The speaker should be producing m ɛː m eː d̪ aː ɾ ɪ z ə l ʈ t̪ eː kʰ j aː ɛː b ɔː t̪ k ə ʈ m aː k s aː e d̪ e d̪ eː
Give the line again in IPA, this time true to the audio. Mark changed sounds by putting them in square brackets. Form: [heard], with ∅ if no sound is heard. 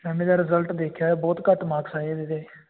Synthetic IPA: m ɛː m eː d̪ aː ɾ ɪ z ə l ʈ [d̪] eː kʰ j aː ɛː b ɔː t̪ k ə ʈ m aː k s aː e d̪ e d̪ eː